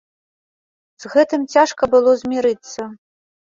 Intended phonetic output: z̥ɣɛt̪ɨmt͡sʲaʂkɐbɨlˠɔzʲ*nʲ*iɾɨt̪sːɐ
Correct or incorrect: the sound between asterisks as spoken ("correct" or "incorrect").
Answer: incorrect